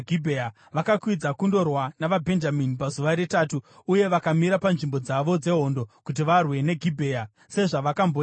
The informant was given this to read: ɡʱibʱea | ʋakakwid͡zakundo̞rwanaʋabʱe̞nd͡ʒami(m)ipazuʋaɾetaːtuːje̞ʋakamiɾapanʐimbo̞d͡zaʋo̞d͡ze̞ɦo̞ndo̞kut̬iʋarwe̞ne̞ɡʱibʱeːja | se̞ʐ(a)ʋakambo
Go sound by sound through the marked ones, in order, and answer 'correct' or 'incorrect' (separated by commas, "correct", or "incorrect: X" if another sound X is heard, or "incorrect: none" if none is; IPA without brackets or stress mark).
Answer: incorrect: n, correct